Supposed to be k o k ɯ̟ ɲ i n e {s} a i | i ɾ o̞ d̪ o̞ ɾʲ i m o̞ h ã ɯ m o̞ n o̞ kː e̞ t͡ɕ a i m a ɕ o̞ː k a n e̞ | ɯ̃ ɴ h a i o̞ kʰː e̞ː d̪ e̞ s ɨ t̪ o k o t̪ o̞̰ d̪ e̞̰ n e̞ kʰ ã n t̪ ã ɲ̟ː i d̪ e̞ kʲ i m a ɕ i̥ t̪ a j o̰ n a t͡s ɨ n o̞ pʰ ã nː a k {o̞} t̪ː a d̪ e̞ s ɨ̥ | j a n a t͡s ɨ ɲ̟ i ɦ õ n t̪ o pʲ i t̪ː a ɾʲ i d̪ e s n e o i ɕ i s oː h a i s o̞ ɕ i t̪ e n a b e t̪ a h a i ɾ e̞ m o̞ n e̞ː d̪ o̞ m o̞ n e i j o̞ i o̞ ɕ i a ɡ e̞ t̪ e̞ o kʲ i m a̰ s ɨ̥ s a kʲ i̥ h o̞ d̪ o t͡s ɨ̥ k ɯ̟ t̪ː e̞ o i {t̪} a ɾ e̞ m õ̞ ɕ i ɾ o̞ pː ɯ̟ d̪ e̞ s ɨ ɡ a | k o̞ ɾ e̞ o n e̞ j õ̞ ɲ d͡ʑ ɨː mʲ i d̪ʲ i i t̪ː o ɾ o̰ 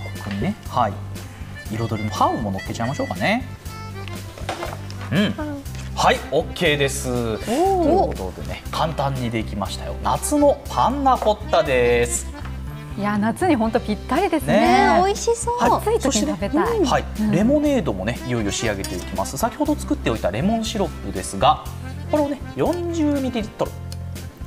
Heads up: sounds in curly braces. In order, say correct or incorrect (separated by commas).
incorrect, correct, correct